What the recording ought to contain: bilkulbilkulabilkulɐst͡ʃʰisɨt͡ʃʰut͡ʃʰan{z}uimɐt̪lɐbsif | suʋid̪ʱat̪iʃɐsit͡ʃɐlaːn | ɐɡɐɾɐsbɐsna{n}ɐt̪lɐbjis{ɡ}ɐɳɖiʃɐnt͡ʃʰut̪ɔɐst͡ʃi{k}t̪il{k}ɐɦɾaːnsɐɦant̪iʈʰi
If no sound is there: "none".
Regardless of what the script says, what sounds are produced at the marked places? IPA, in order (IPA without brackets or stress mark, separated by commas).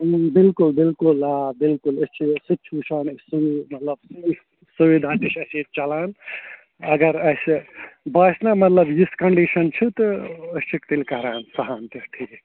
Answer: s, m, k, k, k